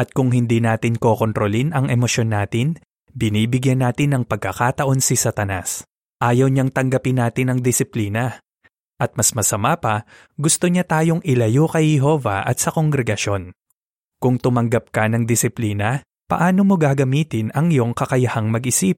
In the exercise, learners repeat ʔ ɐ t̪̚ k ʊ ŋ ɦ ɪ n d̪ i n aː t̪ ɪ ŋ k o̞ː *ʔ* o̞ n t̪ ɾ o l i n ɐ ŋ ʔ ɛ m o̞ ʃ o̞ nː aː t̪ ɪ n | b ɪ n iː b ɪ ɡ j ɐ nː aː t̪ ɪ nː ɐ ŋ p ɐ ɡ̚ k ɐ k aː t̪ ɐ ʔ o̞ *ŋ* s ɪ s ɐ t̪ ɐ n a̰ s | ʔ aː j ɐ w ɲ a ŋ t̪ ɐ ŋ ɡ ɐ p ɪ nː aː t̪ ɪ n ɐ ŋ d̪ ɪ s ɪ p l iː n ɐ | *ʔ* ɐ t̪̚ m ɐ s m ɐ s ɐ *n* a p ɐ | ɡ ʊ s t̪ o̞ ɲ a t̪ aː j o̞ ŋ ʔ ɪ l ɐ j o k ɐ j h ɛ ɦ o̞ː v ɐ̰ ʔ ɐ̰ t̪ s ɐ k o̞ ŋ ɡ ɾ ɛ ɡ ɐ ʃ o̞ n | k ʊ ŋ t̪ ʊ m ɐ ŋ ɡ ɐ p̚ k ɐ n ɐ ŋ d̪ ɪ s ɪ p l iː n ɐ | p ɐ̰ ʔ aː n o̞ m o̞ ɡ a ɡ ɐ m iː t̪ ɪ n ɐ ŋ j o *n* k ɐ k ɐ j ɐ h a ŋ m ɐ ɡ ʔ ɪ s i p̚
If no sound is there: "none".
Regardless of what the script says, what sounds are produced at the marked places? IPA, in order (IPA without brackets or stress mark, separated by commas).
k, n, ʔ, m, ŋ